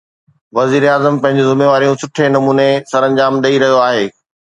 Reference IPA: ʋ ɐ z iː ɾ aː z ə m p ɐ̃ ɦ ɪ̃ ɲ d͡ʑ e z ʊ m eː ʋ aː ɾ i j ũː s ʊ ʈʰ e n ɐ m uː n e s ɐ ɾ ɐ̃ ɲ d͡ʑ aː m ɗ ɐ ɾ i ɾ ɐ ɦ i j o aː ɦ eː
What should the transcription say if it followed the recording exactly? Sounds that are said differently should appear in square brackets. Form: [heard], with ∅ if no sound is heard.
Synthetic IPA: ʋ ɐ z iː ɾ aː z ə m p ɐ̃ ɦ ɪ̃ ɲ d͡ʑ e z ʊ m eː ʋ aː ɾ i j [ũ] s ʊ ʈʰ e n ɐ m uː n e s ɐ ɾ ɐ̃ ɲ d͡ʑ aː m ɗ ɐ [∅] i ɾ ɐ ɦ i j o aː ɦ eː